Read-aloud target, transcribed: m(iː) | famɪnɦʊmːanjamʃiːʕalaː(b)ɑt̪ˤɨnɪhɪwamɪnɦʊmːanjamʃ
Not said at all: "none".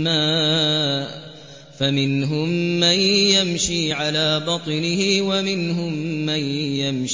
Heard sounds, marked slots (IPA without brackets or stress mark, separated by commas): aː, b